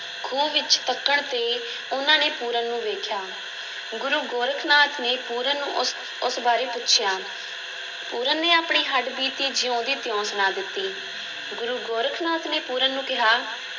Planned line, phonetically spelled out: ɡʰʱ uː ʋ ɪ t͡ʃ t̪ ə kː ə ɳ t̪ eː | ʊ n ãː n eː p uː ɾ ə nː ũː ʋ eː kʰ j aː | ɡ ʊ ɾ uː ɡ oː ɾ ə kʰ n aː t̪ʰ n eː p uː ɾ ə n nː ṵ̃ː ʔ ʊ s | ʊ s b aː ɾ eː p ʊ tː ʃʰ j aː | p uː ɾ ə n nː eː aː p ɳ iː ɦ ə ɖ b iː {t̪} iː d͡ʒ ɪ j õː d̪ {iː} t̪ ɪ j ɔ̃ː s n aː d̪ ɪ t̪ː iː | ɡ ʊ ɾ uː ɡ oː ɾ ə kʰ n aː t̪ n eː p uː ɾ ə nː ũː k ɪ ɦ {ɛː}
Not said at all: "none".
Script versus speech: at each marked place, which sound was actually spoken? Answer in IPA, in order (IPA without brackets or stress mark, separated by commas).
t̪, iː, aː